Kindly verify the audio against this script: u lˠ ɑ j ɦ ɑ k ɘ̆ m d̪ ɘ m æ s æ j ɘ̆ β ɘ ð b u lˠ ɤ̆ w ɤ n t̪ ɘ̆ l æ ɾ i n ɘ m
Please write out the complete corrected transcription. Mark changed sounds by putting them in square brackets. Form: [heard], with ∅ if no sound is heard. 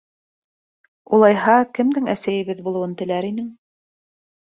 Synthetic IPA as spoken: u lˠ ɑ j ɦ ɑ k ɘ̆ m d̪ ɘ [ŋ] æ s æ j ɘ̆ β ɘ ð b u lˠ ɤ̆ w ɤ n t̪ ɘ̆ l æ ɾ i n ɘ [ŋ]